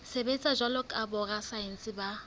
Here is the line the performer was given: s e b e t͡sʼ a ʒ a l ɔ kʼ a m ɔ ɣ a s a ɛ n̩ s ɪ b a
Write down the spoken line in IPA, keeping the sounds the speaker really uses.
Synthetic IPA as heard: s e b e t͡sʼ a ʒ a l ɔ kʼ a b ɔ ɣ a s a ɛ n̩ s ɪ b a